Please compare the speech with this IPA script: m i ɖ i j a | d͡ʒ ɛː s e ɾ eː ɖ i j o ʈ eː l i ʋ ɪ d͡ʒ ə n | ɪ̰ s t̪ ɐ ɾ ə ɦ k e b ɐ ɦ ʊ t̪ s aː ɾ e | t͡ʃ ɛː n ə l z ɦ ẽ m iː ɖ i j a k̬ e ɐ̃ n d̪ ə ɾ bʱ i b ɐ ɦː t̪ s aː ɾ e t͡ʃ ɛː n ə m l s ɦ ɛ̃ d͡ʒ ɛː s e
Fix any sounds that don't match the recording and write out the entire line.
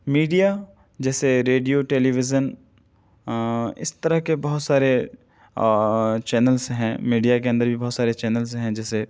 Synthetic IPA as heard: m iː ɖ i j a | d͡ʒ ɛː s e ɾ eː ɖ i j o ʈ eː l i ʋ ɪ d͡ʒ ə n | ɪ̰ s t̪ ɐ ɾ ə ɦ k e b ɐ ɦ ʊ t̪ s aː ɾ e | t͡ʃ ɛː n ə l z ɦ ɛ̃ m iː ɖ i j a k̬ e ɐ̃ n d̪ ə ɾ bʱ i b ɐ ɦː t̪ s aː ɾ e t͡ʃ ɛː n ə l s ɦ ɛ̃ d͡ʒ ɛː s e